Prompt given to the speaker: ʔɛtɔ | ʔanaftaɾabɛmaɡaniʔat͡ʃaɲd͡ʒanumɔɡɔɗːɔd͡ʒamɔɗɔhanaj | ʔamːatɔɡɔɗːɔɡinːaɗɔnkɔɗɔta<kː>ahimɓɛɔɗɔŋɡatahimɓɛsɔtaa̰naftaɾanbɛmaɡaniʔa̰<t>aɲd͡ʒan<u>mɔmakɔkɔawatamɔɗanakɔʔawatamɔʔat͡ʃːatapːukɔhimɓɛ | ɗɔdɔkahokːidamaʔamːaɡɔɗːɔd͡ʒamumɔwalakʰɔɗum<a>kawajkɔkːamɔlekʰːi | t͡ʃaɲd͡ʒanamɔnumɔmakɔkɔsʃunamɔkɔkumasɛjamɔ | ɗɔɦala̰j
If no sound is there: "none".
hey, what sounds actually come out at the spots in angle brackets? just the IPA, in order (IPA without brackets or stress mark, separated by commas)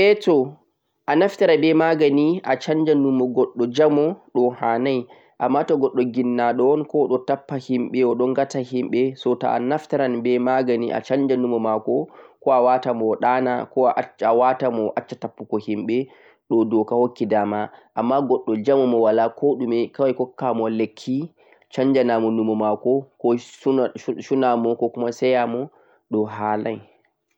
pː, t͡ʃ, u, ɛ